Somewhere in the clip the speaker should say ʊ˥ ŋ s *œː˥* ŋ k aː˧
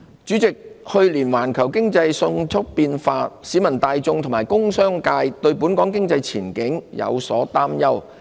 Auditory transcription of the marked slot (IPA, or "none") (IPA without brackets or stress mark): œː˥